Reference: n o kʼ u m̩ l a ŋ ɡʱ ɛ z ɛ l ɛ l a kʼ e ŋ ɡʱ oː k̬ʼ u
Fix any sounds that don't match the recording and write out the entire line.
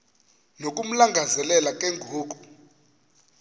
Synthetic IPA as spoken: n o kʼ u m̩ l a ŋ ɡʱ a z ɛ l ɛ l a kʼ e ŋ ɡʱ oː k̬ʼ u